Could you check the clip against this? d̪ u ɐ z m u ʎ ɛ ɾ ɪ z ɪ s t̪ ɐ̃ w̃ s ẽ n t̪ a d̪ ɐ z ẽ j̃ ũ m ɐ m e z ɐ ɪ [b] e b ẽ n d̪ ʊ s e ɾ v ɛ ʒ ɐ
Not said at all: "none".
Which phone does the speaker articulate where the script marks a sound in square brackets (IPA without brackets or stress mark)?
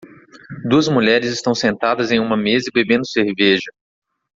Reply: b